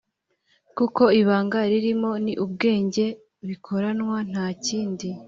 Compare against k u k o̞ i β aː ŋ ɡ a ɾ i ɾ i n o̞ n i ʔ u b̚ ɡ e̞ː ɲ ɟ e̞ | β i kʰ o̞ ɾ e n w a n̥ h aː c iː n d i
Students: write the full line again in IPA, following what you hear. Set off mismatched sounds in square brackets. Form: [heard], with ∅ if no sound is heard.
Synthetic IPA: k u k o̞ i β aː ŋ ɡ a ɾ i ɾ i [m] o̞ n i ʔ u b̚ ɡ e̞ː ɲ ɟ e̞ | β i kʰ o̞ ɾ [a] n w a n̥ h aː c iː n d i